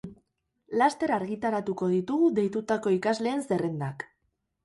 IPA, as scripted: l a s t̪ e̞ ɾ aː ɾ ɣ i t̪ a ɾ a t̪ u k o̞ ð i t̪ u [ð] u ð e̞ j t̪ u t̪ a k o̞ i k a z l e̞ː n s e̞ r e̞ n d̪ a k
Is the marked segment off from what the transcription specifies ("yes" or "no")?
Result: yes